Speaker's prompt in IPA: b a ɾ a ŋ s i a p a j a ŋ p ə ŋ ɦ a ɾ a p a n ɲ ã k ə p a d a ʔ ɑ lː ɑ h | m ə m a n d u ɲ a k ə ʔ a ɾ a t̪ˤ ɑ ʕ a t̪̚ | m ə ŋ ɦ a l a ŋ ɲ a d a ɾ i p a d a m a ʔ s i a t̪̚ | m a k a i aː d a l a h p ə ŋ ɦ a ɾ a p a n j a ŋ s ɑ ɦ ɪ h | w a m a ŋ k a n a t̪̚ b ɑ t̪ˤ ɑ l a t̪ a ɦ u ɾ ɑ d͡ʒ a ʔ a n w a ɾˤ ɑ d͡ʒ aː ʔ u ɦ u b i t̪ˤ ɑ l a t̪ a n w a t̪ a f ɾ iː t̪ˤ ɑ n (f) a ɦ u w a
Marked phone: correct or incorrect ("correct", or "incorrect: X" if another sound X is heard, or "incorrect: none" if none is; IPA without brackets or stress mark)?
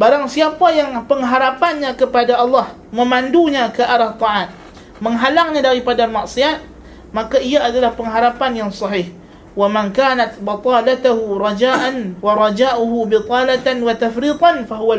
correct